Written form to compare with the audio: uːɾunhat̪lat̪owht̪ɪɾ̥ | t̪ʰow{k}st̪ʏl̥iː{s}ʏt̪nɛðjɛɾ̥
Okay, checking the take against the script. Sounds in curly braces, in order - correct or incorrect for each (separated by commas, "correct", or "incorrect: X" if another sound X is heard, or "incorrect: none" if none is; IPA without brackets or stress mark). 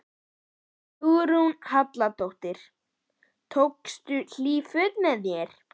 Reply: correct, incorrect: f